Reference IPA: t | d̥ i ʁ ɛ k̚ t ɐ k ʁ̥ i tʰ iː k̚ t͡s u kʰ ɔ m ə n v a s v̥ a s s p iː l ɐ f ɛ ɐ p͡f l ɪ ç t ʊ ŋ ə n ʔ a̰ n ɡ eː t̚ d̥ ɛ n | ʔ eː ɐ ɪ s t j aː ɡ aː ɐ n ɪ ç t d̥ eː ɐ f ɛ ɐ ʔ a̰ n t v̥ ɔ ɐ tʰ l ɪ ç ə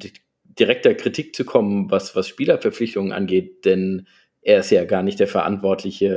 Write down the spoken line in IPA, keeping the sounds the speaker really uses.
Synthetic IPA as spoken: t | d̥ i ʁ ɛ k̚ t ɐ k ʁ̥ i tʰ iː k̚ t͡s u kʰ ɔ m ə n v a s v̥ a s ʃ p iː l ɐ f ɛ ɐ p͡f l ɪ ç t ʊ ŋ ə n ʔ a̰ n ɡ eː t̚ d̥ ɛ n | ʔ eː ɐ ɪ s t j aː ɡ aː ɐ n ɪ ç t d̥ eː ɐ f ɛ ɐ ʔ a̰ n t v̥ ɔ ɐ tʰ l ɪ ç ə

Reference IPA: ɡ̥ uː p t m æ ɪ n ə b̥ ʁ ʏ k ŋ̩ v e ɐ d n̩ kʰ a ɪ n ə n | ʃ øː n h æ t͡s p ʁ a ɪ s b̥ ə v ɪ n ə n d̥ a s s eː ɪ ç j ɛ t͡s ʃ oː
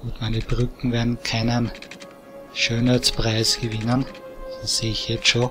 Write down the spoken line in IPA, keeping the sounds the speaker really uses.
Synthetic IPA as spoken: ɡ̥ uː t m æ ɪ n ə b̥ ʁ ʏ k ŋ̩ v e ɐ d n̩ kʰ a ɪ n ə n | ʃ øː n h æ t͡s p ʁ a ɪ s ɡ̥ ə v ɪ n ə n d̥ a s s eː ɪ ç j ɛ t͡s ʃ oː

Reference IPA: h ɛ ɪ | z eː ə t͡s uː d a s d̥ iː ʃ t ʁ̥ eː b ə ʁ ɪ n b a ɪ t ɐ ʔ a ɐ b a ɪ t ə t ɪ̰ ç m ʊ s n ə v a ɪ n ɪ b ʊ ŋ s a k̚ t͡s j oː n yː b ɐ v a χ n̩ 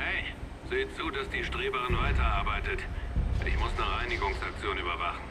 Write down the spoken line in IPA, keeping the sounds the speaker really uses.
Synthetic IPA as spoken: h ɛ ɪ | z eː ə t͡s uː d a s d̥ iː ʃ t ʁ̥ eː b ə ʁ ɪ n v a ɪ t ɐ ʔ a ɐ b a ɪ t ə t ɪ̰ ç m ʊ s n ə ʁ a ɪ n ɪ ɡ ʊ ŋ s a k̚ t͡s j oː n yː b ɐ v a χ n̩

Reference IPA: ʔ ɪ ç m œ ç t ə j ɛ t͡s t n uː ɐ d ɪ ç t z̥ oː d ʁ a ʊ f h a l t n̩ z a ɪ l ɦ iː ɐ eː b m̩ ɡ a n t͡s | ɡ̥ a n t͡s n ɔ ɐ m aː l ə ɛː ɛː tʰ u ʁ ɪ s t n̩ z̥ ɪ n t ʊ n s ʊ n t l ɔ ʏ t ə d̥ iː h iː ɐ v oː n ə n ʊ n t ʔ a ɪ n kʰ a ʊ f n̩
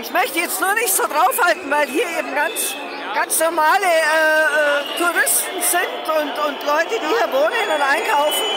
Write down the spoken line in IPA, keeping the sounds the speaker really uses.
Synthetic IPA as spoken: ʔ ɪ ç m œ ç t ə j ɛ t͡s t n uː ɐ n ɪ ç t z̥ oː d ʁ a ʊ f h a l t n̩ v a ɪ l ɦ iː ɐ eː b m̩ ɡ a n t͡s | ɡ̥ a n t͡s n ɔ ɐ m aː l ə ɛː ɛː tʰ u ʁ ɪ s t n̩ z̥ ɪ n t ʊ n t ʊ n t l ɔ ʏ t ə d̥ iː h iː ɐ v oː n ə n ʊ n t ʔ a ɪ n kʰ a ʊ f n̩

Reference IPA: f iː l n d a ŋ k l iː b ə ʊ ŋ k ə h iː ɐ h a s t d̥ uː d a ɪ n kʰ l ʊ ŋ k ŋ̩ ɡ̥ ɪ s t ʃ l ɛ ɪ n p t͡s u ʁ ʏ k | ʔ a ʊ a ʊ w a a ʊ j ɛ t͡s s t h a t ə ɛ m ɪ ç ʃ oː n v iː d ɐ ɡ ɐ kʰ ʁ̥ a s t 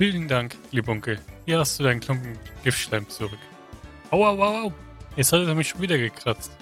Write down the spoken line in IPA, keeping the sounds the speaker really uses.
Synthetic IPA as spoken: f iː l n d a ŋ k l iː b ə ʊ ŋ k ə h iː ɐ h a s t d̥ uː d a ɪ n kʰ l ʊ ŋ k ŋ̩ ɡ̥ ɪ f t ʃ l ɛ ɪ m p t͡s u ʁ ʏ k | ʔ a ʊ a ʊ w a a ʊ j ɛ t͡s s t h a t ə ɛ m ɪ ç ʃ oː n v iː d ɐ ɡ ə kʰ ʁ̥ a t͡s t

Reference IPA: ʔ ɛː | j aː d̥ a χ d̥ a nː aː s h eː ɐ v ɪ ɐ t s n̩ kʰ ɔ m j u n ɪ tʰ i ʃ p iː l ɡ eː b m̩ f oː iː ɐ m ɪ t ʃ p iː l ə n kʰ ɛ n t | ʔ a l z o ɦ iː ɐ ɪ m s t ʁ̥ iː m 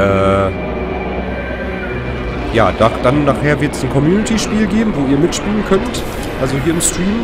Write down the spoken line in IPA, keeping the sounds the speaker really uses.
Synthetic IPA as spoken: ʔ ɛː | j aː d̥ a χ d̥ a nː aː χ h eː ɐ v ɪ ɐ t s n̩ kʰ ɔ m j uː n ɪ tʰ i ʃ p iː l ɡ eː b m̩ v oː iː ɐ m ɪ t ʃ p iː l ə n kʰ œ n t | ʔ a l z o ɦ iː ɐ ɪ m s t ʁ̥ iː m

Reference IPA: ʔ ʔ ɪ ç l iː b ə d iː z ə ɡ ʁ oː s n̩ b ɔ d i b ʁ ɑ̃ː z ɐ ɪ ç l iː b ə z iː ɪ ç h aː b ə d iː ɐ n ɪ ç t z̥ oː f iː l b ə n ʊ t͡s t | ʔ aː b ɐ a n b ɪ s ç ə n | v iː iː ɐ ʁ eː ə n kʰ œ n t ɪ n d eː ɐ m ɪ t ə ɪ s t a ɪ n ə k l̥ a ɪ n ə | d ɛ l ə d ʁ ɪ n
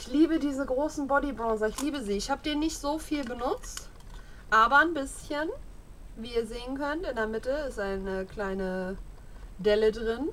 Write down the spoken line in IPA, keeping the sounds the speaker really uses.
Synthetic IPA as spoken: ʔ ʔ ɪ ç l iː b ə d iː z ə ɡ ʁ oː s n̩ b ɔ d i b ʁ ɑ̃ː z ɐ ɪ ç l iː b ə z iː ɪ ç h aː b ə d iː ɐ n ɪ ç t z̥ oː f iː l b ə n ʊ t͡s t | ʔ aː b ɐ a n b ɪ s ç ə n | v iː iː ɐ z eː ə n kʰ œ n t ɪ n d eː ɐ m ɪ t ə ɪ s t a ɪ n ə k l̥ a ɪ n ə | d ɛ l ə d ʁ ɪ n

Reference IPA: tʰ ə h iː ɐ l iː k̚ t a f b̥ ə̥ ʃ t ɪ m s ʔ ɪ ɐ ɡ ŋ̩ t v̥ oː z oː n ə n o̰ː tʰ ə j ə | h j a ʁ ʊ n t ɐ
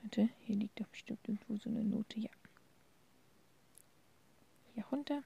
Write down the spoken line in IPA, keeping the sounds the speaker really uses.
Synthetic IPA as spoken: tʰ ə h iː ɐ l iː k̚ t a f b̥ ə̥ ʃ t ɪ m t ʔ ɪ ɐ ɡ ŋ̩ t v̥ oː z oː n ə n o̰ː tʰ ə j a | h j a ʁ ʊ n t ɐ

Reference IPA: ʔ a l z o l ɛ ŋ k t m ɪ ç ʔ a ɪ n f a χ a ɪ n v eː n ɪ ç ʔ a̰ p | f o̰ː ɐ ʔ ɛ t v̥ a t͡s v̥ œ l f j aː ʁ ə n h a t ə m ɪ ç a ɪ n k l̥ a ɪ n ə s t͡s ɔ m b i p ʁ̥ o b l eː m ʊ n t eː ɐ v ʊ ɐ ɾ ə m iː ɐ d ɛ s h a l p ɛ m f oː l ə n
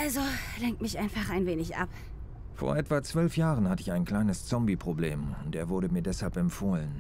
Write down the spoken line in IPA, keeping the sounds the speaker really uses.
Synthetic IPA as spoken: ʔ a l z o l ɛ ŋ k t m ɪ ç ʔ a ɪ n f a χ a ɪ n v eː n ɪ ç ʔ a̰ p | f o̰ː ɐ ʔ ɛ t v̥ a t͡s v̥ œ l f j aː ʁ ə n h a t ə ɪ ç a ɪ n k l̥ a ɪ n ə s t͡s ɔ m b i p ʁ̥ o b l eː m ʊ n t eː ɐ v ʊ ɐ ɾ ə m iː ɐ d ɛ s h a l p ɛ m f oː l ə n

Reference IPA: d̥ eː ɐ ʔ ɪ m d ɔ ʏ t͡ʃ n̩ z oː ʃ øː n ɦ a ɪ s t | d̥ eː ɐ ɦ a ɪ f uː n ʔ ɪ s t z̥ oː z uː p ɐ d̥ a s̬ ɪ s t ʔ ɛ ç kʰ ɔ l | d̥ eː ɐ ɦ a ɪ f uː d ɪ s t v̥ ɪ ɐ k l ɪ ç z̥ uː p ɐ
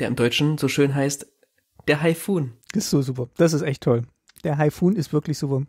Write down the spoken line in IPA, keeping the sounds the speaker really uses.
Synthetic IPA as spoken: d̥ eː ɐ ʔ ɪ m d ɔ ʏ t͡ʃ n̩ z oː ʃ øː n ɦ a ɪ s t | d̥ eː ɐ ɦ a ɪ f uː n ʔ ɪ s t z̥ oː z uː p ɐ d̥ a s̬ ɪ s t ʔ ɛ ç tʰ ɔ l | d̥ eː ɐ ɦ a ɪ f uː n ɪ s t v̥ ɪ ɐ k l ɪ ç z̥ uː p ɐ

